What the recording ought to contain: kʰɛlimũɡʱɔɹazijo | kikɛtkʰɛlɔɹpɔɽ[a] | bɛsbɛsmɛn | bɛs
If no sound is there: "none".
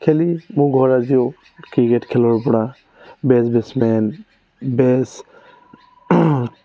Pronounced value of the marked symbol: a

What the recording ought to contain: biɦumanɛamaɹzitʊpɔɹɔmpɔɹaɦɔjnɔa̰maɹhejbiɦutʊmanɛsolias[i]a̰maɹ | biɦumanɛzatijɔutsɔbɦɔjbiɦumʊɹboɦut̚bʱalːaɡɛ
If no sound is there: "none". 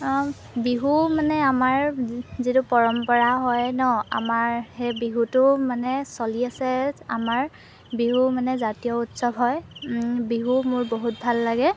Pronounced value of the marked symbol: ɛ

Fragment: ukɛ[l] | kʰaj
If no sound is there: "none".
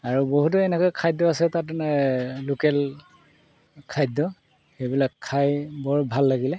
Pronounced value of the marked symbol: l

